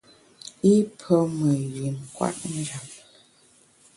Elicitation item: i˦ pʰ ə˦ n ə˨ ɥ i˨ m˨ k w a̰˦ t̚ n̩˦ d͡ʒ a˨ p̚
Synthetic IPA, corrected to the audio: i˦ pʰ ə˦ m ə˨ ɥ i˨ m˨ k w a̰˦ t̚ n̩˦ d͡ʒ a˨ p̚